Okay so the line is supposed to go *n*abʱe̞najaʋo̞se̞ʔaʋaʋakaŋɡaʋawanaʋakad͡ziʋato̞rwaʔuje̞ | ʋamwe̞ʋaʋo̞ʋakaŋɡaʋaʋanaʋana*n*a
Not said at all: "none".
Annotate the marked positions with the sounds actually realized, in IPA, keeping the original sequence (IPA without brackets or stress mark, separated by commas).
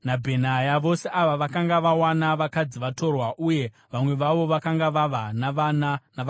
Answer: n, n